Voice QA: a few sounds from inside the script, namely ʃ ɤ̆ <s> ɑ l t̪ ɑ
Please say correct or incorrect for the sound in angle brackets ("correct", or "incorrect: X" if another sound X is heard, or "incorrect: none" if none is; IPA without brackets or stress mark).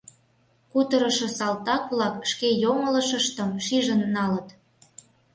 correct